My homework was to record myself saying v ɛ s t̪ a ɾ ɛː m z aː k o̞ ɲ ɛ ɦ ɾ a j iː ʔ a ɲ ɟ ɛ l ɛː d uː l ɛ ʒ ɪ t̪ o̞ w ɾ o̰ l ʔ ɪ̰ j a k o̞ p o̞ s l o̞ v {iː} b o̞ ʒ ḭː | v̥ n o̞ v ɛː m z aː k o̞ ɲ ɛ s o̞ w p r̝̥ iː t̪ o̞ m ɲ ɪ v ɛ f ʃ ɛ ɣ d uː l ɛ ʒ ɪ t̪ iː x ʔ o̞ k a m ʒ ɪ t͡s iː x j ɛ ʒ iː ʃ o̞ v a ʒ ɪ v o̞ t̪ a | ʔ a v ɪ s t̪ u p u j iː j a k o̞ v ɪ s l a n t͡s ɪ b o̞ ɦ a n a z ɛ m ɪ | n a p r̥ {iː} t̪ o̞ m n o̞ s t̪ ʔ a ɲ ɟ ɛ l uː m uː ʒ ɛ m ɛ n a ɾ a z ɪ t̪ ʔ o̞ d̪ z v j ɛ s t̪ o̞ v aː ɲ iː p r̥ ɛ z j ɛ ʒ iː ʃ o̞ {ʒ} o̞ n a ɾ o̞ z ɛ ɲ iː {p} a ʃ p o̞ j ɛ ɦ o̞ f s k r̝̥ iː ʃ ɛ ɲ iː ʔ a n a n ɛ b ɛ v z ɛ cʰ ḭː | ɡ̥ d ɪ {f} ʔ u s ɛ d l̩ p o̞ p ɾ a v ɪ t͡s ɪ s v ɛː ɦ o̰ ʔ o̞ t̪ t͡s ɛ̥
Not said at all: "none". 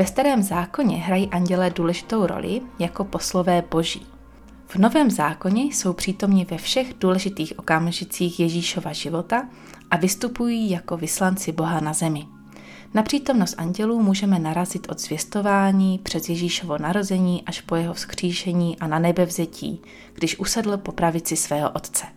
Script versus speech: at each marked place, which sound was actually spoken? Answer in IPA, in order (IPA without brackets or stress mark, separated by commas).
ɛː, iː, v, ʔ, ʃ